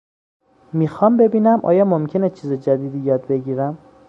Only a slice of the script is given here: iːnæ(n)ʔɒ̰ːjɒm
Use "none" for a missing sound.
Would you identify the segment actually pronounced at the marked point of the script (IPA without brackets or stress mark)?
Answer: m